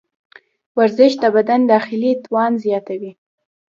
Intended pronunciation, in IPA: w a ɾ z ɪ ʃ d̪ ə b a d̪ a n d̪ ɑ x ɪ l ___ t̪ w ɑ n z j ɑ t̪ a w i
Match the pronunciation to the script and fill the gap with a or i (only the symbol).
i